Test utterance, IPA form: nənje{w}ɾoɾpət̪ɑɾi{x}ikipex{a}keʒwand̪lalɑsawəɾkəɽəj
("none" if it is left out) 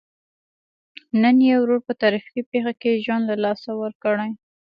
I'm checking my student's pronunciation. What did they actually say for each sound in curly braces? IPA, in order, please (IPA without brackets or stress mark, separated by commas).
w, f, a